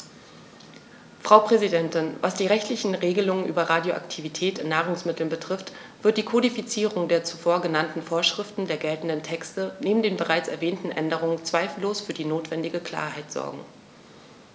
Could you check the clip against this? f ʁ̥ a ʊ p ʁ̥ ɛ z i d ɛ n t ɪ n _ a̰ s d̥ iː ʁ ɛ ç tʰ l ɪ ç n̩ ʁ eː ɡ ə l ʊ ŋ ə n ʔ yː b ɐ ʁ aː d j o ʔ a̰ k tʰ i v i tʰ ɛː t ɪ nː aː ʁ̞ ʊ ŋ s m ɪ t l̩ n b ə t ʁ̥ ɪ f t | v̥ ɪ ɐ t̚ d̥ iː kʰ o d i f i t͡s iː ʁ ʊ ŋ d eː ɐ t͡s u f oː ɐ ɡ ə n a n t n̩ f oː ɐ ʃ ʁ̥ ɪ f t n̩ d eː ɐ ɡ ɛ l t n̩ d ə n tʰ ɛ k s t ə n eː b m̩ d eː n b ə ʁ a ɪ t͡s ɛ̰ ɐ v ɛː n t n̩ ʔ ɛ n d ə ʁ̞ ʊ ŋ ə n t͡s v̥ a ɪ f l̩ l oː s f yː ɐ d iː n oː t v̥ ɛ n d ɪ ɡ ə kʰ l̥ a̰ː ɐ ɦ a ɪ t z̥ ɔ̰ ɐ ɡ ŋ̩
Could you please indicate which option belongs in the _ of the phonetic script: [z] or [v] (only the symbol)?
v